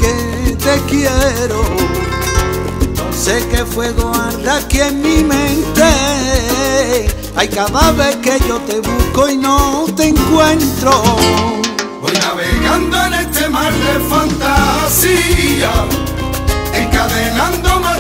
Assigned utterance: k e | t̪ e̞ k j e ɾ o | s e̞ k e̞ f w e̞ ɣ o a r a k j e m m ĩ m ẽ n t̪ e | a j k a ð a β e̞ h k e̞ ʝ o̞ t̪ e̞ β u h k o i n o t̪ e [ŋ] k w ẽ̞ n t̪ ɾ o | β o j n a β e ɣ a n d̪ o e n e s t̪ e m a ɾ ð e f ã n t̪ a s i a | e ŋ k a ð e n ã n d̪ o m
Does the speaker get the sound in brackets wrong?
no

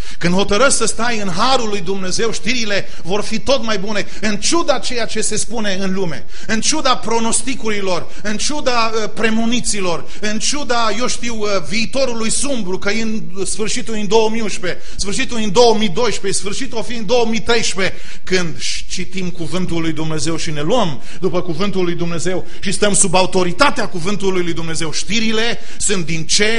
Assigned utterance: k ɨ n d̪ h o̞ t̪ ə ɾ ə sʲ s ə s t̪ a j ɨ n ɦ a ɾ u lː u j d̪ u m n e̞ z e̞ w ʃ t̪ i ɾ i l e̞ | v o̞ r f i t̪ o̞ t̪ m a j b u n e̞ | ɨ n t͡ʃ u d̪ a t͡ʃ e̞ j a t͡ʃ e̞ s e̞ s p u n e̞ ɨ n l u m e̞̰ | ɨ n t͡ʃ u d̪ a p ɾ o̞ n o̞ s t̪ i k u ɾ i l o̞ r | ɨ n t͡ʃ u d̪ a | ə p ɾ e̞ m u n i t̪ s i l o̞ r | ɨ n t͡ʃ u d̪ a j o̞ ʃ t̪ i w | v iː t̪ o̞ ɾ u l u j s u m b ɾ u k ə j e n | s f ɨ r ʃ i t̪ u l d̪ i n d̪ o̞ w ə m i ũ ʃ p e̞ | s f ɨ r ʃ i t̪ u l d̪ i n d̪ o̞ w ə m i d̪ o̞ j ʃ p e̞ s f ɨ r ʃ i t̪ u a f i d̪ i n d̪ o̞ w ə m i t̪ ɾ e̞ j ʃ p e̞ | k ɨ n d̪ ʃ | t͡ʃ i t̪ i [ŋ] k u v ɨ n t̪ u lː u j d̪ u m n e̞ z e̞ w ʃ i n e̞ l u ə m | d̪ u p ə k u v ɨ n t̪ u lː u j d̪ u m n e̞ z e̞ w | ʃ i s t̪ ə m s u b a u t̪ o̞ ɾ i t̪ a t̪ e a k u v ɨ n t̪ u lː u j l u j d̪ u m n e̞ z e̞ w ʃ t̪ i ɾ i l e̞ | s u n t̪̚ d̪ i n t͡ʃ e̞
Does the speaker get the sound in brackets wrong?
yes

